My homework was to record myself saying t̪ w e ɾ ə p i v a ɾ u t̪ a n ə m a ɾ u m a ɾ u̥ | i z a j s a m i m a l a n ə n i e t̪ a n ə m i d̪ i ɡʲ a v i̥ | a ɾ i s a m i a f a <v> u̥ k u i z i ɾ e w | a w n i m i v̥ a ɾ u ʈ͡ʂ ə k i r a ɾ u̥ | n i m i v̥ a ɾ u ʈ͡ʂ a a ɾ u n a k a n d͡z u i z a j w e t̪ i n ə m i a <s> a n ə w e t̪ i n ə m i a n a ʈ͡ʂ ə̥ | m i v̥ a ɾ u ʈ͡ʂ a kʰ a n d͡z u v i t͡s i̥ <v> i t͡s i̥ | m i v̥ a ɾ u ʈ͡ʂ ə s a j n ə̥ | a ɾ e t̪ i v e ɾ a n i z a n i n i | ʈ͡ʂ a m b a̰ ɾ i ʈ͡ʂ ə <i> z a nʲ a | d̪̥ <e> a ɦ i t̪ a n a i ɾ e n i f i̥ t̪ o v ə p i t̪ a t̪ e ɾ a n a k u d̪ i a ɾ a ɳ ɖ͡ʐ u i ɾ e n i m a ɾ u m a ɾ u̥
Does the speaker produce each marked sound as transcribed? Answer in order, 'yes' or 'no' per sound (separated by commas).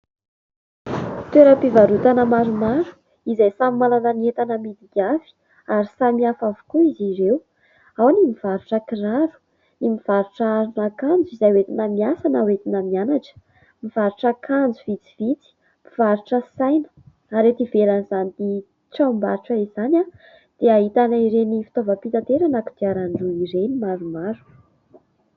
yes, yes, yes, yes, yes